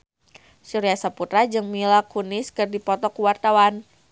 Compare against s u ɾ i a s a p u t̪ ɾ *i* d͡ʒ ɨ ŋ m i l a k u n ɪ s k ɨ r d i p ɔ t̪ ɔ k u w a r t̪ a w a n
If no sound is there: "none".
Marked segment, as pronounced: a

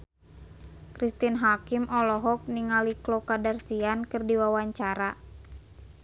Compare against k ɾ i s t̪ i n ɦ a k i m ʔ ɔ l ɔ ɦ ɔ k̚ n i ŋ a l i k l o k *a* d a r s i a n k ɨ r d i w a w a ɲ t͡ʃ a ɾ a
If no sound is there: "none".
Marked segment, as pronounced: a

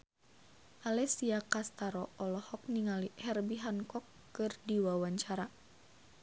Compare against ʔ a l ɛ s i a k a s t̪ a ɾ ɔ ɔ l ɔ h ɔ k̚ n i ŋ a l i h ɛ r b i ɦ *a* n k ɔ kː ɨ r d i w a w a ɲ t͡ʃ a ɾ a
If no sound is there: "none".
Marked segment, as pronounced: a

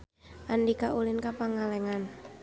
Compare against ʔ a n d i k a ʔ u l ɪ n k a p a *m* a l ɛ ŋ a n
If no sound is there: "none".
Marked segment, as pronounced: ŋ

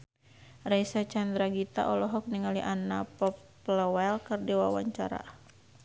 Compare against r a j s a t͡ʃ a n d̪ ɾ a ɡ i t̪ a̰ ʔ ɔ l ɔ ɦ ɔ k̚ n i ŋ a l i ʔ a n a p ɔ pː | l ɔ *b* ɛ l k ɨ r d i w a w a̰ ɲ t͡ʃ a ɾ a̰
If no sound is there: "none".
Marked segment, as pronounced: w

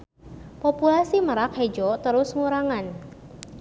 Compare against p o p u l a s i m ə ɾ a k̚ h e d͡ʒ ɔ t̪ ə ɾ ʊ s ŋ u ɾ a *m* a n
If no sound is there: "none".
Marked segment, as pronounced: ŋ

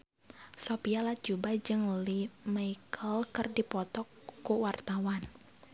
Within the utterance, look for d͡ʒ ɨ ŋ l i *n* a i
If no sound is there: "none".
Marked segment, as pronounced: m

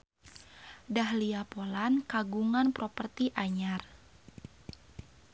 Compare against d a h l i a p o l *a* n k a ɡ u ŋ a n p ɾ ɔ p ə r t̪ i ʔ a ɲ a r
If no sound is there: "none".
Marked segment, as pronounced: a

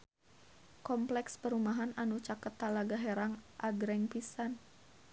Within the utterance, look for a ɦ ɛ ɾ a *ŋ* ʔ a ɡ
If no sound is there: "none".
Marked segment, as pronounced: ŋ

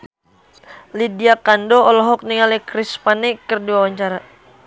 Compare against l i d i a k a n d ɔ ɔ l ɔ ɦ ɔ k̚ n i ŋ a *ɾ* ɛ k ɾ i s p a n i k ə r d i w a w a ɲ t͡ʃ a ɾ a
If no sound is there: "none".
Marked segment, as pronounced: l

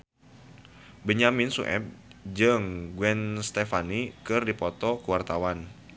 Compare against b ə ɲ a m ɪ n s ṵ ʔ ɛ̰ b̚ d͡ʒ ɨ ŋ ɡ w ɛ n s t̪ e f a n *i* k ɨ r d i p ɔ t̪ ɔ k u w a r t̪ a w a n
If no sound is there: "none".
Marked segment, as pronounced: i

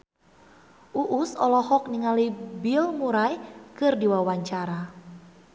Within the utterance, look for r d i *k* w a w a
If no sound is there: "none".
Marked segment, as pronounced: none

